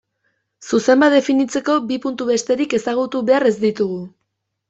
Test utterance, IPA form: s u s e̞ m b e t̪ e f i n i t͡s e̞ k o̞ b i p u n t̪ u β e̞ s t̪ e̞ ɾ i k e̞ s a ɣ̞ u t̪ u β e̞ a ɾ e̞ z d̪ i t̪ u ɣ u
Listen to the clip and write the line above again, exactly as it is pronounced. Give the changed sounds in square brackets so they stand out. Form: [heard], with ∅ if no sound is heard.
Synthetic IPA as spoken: s u s e̞ m b [a] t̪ e f i n i t͡s e̞ k o̞ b i p u n t̪ u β e̞ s t̪ e̞ ɾ i k e̞ s a ɣ̞ u t̪ u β e̞ a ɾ e̞ z d̪ i t̪ u ɣ u